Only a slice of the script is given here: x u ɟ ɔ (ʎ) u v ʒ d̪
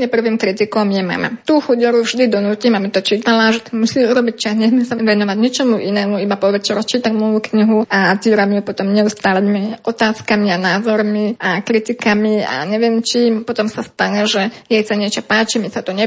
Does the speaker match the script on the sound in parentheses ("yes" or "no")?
no